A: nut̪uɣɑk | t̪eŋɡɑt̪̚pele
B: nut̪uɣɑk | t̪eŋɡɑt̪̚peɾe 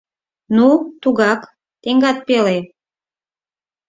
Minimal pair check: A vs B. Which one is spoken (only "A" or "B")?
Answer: A